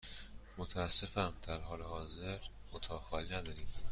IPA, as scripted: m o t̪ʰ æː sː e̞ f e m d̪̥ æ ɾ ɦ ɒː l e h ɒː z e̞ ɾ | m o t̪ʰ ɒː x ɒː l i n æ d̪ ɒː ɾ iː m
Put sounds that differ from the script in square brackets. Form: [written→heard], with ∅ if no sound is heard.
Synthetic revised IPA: m o t̪ʰ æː sː e̞ f [e→æ] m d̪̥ æ ɾ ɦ ɒː l e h ɒː z e̞ ɾ | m o t̪ʰ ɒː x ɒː l i n æ d̪ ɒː ɾ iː m